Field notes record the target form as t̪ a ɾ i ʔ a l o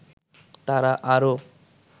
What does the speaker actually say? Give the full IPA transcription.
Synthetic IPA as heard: t̪ a ɾ a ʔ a ɾ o